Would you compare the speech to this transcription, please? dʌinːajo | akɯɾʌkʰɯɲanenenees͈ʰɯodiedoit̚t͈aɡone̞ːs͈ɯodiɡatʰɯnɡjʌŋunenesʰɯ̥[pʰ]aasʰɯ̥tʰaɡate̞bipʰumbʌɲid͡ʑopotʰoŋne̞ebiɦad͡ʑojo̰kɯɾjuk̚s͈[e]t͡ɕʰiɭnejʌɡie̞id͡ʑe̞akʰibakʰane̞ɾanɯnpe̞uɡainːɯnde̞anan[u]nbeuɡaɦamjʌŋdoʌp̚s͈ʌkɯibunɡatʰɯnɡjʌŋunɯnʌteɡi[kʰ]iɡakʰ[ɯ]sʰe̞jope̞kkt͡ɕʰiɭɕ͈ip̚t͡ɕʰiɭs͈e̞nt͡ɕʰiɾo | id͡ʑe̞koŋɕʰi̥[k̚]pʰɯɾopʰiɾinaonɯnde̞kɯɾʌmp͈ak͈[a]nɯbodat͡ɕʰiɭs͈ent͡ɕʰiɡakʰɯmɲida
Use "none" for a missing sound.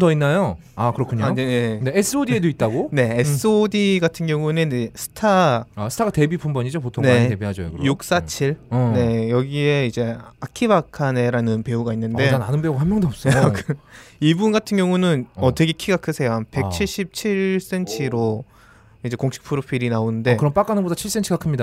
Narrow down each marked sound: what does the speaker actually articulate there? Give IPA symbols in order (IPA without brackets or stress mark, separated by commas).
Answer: tʰ, a, ɯ, kʰ, ɯ, k̚, a